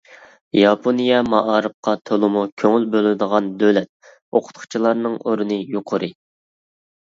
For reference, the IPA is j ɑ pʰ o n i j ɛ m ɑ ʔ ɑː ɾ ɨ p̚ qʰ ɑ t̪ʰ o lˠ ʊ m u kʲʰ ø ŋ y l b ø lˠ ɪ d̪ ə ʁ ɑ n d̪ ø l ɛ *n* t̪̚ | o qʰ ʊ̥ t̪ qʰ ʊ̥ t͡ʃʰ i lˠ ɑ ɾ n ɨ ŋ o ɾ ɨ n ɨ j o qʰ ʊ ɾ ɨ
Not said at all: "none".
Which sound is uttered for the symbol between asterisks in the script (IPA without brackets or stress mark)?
none